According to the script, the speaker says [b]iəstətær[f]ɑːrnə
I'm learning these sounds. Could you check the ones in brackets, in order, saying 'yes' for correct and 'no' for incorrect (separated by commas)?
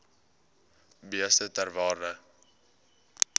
yes, no